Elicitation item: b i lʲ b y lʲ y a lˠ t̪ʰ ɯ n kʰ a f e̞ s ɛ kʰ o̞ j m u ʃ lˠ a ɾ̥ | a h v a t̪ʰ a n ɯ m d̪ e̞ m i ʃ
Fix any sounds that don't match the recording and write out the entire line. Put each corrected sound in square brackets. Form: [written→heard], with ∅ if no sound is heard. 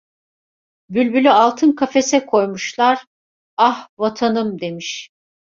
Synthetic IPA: b [i→y] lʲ b y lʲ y a lˠ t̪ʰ ɯ n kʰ a f e̞ s ɛ kʰ o̞ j m u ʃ lˠ a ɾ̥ | a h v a t̪ʰ a n ɯ m d̪ e̞ m i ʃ